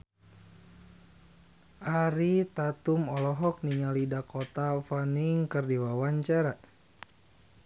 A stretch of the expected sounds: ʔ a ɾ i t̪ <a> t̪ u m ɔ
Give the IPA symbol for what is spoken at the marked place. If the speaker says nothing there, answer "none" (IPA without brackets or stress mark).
a